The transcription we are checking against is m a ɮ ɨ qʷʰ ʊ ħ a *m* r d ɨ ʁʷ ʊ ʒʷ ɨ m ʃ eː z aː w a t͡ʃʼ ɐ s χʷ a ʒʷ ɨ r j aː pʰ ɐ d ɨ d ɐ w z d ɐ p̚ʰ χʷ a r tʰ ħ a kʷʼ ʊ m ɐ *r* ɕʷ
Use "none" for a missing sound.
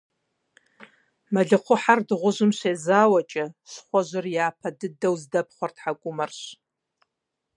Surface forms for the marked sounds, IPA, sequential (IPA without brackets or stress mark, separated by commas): none, r